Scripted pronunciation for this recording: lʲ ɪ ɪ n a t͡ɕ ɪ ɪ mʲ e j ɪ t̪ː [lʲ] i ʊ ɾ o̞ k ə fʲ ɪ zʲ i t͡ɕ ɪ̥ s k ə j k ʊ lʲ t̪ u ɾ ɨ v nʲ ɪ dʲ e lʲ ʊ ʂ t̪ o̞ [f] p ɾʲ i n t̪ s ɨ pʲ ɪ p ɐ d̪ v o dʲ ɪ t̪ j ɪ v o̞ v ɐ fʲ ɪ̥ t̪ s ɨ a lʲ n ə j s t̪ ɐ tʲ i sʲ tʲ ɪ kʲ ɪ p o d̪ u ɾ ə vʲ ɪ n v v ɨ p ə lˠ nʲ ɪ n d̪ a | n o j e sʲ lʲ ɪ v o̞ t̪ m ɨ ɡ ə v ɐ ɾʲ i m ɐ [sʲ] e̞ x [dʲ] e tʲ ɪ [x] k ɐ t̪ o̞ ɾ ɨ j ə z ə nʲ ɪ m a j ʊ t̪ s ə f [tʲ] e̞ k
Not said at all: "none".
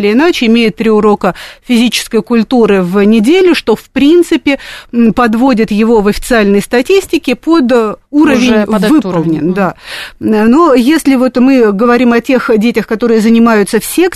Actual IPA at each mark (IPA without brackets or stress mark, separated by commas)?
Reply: ɾʲ, f, tʲ, dʲ, x, sʲ